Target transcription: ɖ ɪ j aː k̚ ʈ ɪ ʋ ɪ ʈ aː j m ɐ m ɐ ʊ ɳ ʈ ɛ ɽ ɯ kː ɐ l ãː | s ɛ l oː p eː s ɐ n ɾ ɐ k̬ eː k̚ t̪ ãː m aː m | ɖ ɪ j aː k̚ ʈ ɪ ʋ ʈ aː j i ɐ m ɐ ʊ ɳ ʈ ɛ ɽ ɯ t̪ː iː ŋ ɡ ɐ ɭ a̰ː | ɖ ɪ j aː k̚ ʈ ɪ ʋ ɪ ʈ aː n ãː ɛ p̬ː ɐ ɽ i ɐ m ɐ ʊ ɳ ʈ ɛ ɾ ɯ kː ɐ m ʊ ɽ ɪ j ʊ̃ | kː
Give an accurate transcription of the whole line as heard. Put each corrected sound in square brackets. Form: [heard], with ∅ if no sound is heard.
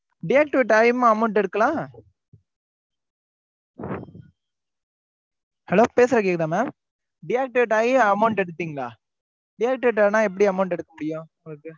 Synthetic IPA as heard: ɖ ɪ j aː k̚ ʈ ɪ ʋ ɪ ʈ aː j m ɐ m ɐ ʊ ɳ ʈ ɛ ɽ ɯ kː ɐ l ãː | [h] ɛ l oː p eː s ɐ [∅] ɾ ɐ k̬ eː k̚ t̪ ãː m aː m | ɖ ɪ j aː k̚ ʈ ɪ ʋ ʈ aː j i ɐ m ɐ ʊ ɳ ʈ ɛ ɽ ɯ t̪ː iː ŋ ɡ ɐ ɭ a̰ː | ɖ ɪ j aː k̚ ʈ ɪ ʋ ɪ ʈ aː n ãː ɛ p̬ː ɐ ɽ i ɐ m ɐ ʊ ɳ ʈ ɛ [ɽ] ɯ kː ɐ m ʊ ɽ ɪ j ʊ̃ | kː